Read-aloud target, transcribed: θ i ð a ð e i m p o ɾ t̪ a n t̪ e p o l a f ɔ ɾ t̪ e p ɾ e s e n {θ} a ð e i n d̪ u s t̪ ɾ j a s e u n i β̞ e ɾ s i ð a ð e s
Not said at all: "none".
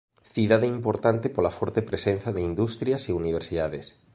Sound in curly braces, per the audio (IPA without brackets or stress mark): θ